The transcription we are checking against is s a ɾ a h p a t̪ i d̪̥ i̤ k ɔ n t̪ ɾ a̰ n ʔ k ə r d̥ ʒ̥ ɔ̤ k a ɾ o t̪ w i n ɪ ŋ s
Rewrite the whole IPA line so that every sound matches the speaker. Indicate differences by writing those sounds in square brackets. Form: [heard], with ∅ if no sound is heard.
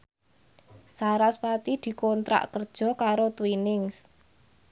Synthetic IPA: s a ɾ a [s] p a t̪ i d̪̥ i̤ k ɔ n t̪ ɾ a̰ [∅] ʔ k ə r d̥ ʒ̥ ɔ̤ k a ɾ o t̪ w i n ɪ ŋ s